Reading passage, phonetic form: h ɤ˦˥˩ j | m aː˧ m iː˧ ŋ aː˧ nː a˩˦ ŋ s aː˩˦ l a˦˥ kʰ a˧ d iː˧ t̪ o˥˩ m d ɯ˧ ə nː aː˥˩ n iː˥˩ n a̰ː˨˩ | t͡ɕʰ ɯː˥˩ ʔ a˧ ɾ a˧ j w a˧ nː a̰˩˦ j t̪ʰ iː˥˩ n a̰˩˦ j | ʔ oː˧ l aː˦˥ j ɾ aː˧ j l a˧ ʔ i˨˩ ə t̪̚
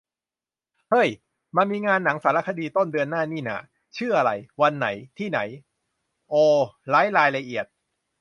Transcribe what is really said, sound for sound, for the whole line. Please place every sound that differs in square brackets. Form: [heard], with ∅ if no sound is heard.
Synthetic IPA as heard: h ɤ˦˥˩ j | m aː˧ m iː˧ ŋ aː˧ nː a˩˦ ŋ s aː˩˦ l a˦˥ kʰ a˧ d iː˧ t̪ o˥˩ [n] d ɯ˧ ə nː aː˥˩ n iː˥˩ n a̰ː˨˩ | t͡ɕʰ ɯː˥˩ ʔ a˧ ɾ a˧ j w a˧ nː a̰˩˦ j t̪ʰ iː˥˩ n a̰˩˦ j | ʔ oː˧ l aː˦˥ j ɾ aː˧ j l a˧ ʔ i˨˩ ə t̪̚